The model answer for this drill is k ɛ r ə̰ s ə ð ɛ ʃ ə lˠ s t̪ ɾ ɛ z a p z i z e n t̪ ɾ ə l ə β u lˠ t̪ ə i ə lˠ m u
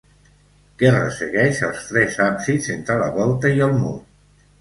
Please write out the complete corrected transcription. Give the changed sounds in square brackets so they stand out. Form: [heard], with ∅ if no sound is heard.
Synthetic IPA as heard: k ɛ r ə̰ s ə [ɣ] ɛ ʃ ə lˠ s t̪ ɾ ɛ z a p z i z e n t̪ ɾ ə l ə β [ɔ] lˠ t̪ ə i ə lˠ m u